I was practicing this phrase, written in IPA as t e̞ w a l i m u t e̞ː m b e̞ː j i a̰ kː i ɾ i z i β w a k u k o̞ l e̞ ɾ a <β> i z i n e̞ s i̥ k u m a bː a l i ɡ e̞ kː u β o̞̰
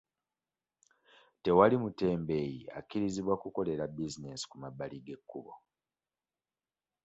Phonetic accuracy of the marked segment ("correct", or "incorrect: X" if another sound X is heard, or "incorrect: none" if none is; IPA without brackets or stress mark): incorrect: b